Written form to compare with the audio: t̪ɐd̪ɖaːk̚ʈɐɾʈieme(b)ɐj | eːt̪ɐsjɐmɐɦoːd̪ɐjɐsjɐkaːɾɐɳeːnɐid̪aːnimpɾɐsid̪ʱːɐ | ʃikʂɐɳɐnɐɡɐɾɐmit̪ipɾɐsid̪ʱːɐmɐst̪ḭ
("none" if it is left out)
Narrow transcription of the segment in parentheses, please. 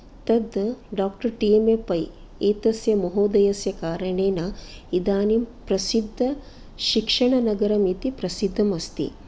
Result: p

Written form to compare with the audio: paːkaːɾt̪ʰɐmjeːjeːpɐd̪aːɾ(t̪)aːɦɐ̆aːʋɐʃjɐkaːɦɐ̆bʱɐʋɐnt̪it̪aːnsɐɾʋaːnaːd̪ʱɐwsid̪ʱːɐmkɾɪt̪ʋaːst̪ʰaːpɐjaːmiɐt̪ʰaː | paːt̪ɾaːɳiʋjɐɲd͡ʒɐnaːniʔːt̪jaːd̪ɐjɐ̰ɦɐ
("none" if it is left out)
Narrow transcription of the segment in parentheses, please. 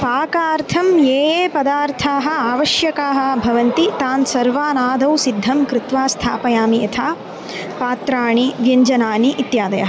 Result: t̪ʰ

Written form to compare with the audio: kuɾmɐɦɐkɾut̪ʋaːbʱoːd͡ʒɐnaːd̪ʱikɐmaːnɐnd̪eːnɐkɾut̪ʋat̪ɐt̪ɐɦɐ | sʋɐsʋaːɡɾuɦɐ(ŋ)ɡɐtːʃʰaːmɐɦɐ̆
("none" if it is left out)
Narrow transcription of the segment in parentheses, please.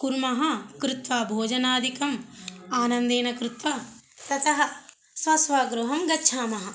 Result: m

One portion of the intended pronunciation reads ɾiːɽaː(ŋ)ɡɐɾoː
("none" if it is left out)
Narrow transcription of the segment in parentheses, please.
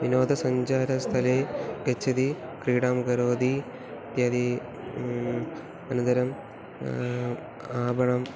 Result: m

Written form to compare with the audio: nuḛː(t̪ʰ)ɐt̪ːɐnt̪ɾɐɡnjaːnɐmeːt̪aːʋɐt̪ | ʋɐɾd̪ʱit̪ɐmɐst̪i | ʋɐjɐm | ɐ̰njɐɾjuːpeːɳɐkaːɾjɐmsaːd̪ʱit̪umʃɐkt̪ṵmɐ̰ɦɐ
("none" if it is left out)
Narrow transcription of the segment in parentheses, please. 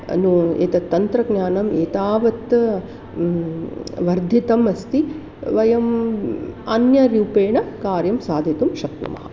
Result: t̪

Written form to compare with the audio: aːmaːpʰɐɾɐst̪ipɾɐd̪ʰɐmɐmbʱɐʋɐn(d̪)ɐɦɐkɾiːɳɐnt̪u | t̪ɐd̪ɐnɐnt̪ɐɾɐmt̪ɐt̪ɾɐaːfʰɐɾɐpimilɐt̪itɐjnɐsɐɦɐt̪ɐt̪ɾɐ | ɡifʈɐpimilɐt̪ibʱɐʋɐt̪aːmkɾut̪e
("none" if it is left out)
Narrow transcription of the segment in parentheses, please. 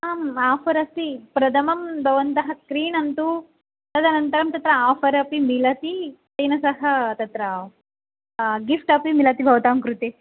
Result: t̪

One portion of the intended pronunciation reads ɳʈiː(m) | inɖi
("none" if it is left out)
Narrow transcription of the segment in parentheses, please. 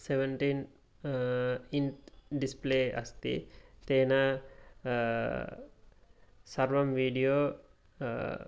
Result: n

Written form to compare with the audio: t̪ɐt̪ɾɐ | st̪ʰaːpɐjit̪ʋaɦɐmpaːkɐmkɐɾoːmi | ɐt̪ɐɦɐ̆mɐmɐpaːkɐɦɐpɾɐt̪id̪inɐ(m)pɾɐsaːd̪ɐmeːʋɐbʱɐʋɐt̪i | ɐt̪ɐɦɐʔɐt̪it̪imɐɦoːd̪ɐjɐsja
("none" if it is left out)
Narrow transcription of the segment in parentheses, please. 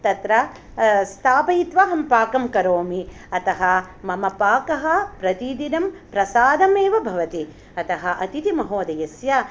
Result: m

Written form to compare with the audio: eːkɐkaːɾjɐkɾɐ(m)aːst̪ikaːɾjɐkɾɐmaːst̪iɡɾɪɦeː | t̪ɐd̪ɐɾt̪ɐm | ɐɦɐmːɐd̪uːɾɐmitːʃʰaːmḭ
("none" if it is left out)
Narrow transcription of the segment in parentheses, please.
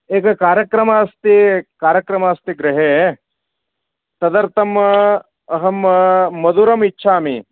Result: m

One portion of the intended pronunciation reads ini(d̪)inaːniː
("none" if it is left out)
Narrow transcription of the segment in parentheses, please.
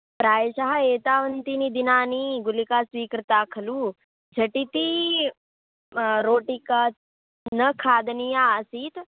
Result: d̪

